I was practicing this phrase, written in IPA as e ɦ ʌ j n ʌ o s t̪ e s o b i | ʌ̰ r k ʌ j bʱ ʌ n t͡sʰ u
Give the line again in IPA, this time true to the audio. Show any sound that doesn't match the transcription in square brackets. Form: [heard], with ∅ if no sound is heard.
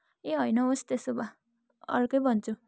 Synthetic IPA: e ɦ ʌ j n ʌ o s t̪ e s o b [a] | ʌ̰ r k ʌ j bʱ ʌ n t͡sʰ u